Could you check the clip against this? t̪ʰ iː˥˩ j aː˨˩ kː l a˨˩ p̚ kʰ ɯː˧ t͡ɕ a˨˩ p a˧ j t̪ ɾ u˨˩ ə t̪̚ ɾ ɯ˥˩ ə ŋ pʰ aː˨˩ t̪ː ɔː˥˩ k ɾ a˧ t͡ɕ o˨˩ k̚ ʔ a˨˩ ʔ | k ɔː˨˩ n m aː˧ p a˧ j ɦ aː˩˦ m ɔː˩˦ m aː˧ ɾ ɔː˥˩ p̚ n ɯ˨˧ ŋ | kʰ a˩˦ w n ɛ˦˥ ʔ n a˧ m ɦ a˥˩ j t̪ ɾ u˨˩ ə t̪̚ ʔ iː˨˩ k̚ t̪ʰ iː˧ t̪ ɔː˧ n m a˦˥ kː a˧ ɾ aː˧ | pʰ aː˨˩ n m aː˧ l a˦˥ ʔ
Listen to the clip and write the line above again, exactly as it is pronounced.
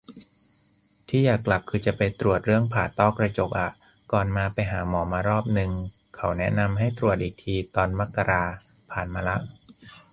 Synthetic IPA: t̪ʰ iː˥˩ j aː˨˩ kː l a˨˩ p̚ kʰ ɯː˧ t͡ɕ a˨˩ p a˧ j t̪ ɾ u˨˩ ə t̪̚ ɾ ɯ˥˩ ə ŋ pʰ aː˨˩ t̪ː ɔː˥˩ k ɾ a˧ t͡ɕ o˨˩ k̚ ʔ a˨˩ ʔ | k ɔː˨˩ n m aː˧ p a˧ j ɦ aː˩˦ m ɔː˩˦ m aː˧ ɾ ɔː˥˩ p̚ n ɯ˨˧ ŋ | kʰ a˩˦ w n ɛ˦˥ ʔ n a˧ m ɦ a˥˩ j t̪ ɾ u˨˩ ə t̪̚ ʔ iː˨˩ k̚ t̪ʰ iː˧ t̪ ɔː˧ n m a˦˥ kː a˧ ɾ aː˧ | pʰ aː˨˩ n m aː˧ l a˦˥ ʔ